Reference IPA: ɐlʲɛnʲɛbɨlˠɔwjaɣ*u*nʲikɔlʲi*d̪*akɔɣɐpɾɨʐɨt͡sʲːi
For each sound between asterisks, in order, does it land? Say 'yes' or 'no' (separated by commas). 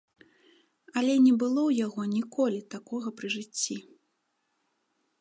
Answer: no, no